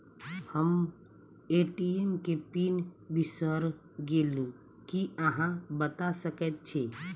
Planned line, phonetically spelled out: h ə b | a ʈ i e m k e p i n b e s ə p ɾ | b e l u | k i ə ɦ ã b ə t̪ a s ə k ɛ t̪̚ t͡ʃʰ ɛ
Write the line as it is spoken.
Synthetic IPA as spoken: h ə m | e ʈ i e m k e p i n b i s ə ɾ | ɡ e l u | k i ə ɦ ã b ə t̪ a s ə k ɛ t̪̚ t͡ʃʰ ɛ